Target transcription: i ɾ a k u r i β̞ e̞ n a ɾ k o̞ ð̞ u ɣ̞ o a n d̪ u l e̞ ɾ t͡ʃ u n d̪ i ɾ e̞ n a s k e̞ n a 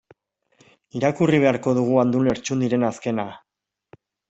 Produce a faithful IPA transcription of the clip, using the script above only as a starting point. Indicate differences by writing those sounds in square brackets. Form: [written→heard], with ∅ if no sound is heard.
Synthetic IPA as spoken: i ɾ a k u r i β̞ e̞ [n→∅] a ɾ k o̞ ð̞ u ɣ̞ [o→u] a n d̪ u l e̞ ɾ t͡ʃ u n d̪ i ɾ e̞ n a s k e̞ n a